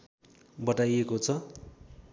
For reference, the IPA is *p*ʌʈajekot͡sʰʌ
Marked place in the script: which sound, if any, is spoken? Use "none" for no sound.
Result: b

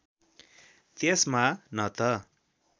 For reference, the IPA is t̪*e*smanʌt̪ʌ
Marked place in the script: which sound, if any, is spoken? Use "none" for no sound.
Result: e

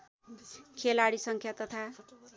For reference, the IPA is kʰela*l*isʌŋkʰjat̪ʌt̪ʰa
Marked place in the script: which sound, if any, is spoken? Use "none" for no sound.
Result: ɽ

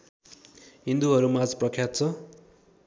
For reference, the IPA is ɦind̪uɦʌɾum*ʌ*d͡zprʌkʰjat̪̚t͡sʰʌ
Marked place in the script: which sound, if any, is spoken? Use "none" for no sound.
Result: a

